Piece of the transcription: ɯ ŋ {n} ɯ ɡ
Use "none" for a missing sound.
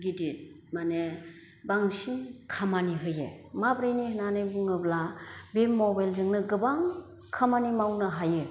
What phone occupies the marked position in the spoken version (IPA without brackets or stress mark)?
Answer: n